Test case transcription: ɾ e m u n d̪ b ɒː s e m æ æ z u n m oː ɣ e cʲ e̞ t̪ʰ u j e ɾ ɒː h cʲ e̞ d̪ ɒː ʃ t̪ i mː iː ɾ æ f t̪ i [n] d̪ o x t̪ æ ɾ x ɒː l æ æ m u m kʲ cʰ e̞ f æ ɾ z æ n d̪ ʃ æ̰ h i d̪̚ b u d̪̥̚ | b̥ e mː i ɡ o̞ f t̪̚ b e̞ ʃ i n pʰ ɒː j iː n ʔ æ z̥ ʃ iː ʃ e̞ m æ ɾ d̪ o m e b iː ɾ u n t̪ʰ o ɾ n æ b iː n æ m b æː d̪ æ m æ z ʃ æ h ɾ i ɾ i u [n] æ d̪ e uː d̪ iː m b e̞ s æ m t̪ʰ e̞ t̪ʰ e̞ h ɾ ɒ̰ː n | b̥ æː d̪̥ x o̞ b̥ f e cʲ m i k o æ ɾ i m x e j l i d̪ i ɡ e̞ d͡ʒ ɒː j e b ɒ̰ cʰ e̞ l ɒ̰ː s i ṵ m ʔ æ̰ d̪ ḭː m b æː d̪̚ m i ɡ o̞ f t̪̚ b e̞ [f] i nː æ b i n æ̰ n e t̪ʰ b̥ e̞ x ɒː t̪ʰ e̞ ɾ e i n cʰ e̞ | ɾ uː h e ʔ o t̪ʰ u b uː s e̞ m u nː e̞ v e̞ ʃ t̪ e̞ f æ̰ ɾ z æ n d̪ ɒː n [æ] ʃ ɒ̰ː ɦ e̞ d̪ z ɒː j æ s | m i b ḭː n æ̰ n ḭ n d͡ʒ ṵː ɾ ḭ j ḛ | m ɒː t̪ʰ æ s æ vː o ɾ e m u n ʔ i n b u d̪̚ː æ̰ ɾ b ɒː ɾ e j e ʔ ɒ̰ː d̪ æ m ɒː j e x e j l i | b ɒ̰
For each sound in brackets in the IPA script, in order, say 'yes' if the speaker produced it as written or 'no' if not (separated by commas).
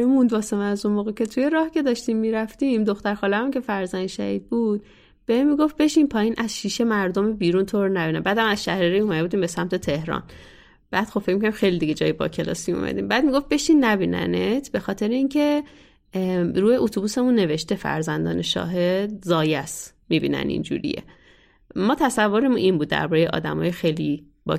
no, no, no, no